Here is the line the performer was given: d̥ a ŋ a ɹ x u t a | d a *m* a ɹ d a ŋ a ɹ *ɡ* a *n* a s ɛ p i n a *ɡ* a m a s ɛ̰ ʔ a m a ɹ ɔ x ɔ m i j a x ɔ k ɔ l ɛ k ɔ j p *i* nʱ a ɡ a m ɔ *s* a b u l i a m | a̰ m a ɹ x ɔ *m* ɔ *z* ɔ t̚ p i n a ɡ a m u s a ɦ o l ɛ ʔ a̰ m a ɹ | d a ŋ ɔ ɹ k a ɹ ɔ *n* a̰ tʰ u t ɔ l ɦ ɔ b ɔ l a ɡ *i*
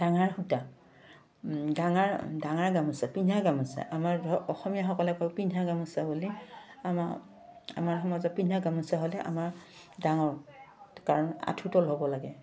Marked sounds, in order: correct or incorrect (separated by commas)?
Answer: incorrect, correct, incorrect, correct, correct, correct, correct, correct, correct, incorrect